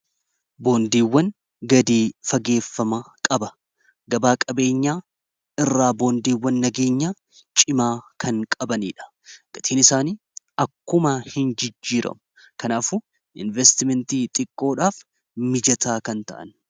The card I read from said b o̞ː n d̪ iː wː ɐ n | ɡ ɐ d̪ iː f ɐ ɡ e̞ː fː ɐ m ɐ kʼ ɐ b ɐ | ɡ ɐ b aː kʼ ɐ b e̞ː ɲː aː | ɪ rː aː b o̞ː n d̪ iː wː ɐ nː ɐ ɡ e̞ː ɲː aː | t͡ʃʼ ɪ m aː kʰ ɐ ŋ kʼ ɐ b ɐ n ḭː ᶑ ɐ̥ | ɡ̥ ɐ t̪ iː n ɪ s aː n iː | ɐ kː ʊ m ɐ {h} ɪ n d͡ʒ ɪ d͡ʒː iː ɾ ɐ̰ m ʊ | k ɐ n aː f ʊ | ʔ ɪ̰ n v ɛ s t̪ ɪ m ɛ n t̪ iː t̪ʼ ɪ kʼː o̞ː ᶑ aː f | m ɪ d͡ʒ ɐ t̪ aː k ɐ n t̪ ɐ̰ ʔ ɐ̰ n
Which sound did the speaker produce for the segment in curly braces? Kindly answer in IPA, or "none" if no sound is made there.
h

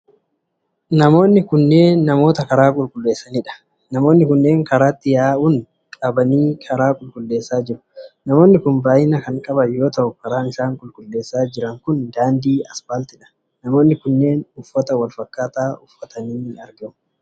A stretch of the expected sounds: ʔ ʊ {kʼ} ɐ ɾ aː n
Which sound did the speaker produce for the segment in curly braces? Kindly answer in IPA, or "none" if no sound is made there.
k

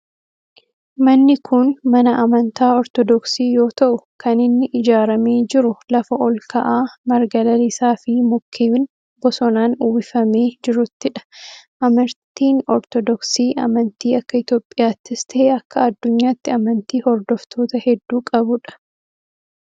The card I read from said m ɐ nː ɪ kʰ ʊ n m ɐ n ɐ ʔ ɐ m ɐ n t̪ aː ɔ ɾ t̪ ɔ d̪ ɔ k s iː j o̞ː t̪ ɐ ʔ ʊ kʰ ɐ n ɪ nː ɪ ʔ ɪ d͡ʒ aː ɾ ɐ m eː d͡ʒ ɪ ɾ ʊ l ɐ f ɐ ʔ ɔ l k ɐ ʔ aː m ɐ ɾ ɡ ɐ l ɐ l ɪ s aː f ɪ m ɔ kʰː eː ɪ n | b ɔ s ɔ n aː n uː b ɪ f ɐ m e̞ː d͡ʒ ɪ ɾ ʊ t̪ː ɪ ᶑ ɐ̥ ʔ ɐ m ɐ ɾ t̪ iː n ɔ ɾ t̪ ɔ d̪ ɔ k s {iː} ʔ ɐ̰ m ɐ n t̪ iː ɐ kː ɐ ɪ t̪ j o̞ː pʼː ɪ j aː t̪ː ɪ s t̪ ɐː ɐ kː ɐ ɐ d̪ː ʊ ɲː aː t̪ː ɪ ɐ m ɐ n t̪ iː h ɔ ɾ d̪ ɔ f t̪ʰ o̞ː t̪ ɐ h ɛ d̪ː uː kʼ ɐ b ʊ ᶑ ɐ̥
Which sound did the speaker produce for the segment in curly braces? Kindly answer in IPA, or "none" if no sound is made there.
iː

